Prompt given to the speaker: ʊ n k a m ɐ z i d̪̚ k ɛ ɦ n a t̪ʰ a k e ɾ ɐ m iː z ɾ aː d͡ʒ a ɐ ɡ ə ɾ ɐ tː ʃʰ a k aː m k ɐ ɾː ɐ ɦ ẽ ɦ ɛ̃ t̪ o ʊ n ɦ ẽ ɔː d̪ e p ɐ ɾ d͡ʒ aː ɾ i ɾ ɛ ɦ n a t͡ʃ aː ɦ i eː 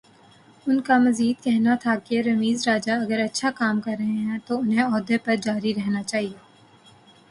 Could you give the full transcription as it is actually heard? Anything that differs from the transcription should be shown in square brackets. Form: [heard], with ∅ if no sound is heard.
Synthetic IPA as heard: ʊ n k a m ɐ z [iː] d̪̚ k ɛ ɦ n a t̪ʰ a k e ɾ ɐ m iː z ɾ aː d͡ʒ a ɐ ɡ ə ɾ ɐ tː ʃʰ a k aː m k ɐ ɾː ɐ ɦ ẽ ɦ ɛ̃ t̪ o ʊ n ɦ ẽ ɔː d̪ e p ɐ ɾ d͡ʒ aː ɾ i ɾ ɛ ɦ n a t͡ʃ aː ɦ i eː

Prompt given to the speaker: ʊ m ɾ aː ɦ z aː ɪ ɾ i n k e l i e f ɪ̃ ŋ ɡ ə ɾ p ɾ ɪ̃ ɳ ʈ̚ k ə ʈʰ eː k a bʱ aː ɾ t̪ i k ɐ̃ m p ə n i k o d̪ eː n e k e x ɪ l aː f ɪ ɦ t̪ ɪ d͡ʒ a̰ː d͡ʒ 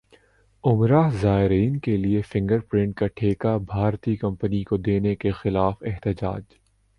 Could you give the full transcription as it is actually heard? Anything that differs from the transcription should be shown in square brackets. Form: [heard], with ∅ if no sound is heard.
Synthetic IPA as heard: ʊ m ɾ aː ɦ z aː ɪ ɾ [iː] n k e l i e f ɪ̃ ŋ ɡ ə ɾ p ɾ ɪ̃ ɳ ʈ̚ k [a] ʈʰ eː k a bʱ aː ɾ t̪ i k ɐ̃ m p ə n i k o d̪ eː n e k e x ɪ l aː f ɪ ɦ t̪ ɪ d͡ʒ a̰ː d͡ʒ

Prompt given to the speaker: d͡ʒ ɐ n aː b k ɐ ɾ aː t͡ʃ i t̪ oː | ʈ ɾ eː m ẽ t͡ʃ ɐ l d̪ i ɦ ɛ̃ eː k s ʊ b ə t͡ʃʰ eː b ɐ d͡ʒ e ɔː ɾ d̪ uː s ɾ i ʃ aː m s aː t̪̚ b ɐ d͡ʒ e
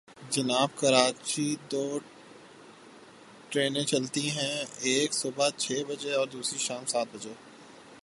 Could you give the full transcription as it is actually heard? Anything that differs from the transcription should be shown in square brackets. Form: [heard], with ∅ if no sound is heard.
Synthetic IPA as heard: d͡ʒ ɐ n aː b k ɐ ɾ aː t͡ʃ i [d̪] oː | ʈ ɾ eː [n] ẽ t͡ʃ ɐ l [t̪] i ɦ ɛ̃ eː k s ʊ b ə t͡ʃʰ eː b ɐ d͡ʒ e ɔː ɾ d̪ uː s ɾ i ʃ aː m s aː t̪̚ b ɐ d͡ʒ e

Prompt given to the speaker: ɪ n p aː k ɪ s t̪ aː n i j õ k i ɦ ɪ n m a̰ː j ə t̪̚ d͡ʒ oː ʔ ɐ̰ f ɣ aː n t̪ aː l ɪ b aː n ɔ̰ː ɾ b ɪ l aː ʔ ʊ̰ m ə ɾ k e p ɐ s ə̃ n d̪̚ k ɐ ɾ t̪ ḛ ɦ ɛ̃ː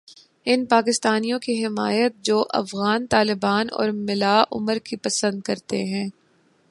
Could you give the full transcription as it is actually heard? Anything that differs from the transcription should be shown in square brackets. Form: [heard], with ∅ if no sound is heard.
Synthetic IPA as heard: ɪ n p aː k ɪ s t̪ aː n i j õ k i ɦ ɪ [∅] m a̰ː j ə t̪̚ d͡ʒ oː ʔ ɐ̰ f ɣ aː n t̪ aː l ɪ b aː n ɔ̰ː ɾ [m] ɪ l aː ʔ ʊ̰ m ə ɾ k [i] p ɐ s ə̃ n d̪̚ k ɐ ɾ t̪ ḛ ɦ ɛ̃ː

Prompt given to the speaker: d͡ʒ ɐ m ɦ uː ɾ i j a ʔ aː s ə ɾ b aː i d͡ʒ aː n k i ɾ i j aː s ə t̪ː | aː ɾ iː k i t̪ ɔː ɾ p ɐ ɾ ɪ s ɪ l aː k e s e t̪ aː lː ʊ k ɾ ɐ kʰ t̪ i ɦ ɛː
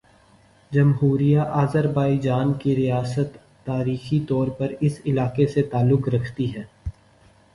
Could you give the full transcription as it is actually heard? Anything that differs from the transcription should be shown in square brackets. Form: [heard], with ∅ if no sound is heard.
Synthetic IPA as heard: d͡ʒ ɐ m ɦ uː ɾ i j a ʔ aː [z] ə ɾ b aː i d͡ʒ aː n k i ɾ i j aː s ə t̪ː | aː ɾ iː [x] i t̪ ɔː ɾ p ɐ ɾ ɪ s ɪ l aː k e s e t̪ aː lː ʊ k ɾ ɐ kʰ t̪ i ɦ ɛː

